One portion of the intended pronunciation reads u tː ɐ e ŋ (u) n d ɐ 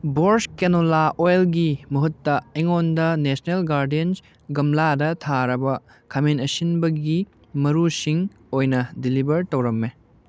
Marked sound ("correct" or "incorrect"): incorrect